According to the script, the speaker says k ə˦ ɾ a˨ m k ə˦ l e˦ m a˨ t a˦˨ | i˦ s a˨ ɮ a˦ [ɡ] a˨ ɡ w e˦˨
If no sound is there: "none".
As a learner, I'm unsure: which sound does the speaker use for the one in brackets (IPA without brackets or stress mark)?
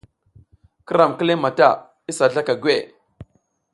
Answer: k